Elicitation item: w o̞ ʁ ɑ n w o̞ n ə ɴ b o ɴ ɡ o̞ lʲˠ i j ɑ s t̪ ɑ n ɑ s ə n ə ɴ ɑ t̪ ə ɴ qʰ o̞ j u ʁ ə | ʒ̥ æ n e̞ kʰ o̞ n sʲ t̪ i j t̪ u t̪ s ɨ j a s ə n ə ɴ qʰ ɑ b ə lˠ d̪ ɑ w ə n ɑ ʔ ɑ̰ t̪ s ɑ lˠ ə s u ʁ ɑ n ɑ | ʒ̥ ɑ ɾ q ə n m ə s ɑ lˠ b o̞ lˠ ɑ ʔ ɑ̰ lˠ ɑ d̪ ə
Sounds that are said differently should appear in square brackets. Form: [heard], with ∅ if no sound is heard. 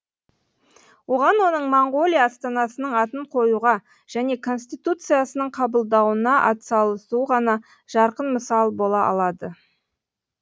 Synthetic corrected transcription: w o̞ ʁ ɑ n w o̞ n ə ɴ [m] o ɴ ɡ o̞ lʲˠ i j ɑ s t̪ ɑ n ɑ s ə n ə ɴ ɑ t̪ ə ɴ qʰ o̞ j u ʁ [ɑ] | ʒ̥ æ n e̞ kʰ o̞ n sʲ t̪ i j t̪ u t̪ s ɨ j a s ə n ə ɴ qʰ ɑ b ə lˠ d̪ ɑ w ə n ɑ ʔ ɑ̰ t̪ s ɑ lˠ ə s u ʁ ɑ n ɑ | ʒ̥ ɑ ɾ q ə n m ə s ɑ lˠ b o̞ lˠ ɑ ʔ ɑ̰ lˠ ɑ d̪ ə